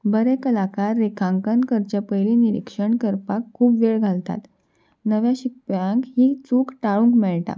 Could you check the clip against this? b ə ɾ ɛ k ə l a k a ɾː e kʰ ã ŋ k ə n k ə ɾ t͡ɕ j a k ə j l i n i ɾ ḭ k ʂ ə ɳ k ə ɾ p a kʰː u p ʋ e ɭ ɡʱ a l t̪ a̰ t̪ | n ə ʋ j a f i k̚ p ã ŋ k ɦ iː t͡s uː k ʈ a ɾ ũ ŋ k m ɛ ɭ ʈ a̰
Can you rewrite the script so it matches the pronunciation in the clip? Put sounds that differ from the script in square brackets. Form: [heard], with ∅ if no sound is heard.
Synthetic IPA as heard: b ə ɾ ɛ k ə l a k a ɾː e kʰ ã ŋ k ə n k ə ɾ t͡ɕ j a [p] ə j l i n i ɾ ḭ k ʂ ə ɳ k ə ɾ p a kʰː [uː] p ʋ e ɭ ɡʱ a l t̪ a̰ t̪ | n ə ʋ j a [ɕ] i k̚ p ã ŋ k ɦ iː t͡s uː k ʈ a [ɭ] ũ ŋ k m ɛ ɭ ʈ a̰